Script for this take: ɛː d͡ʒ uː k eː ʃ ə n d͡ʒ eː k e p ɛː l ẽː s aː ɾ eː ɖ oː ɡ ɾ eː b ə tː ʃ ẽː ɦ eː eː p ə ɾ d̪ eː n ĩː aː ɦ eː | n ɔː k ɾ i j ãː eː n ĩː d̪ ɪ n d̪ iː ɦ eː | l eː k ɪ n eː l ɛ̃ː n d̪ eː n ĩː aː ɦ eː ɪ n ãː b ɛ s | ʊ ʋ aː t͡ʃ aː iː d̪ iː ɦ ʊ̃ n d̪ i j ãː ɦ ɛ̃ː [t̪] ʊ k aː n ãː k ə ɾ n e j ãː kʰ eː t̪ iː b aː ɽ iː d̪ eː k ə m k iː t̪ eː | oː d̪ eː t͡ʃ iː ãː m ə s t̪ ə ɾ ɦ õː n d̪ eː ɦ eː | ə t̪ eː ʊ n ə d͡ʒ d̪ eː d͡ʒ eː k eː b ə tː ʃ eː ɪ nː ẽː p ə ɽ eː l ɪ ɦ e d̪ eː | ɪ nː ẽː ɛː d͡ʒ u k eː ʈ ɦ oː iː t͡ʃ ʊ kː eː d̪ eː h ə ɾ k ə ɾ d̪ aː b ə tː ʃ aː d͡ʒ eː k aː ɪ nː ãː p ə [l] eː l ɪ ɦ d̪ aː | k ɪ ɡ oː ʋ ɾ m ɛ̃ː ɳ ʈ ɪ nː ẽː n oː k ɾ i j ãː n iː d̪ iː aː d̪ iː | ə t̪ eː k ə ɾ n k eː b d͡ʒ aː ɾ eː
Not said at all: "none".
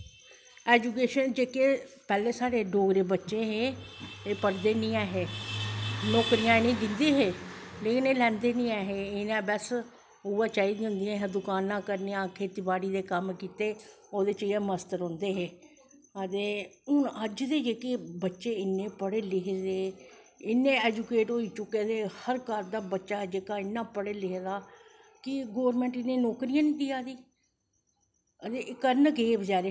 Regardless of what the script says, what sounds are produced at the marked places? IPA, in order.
d̪, ɽ

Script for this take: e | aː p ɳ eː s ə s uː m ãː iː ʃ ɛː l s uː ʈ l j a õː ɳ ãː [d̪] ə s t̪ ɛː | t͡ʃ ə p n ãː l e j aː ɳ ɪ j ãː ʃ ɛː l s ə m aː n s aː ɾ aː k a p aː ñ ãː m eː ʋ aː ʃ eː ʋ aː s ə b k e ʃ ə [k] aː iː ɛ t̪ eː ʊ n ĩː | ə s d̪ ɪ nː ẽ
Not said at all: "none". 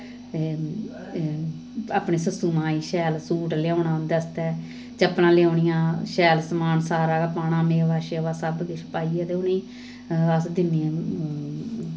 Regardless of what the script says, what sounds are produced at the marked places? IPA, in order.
d̪, p

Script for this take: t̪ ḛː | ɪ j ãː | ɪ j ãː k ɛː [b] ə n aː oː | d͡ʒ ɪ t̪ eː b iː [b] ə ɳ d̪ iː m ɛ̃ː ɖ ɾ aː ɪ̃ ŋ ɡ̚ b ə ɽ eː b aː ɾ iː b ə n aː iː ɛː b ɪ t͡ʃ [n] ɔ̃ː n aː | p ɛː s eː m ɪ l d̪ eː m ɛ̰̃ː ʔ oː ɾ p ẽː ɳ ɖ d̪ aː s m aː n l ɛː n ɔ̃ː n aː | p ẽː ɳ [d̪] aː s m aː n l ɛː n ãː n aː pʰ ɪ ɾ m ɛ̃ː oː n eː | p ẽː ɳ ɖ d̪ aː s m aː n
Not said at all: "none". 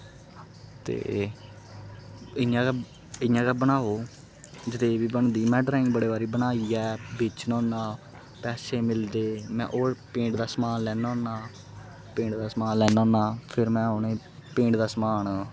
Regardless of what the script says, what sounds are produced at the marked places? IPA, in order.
b, b, n, d̪

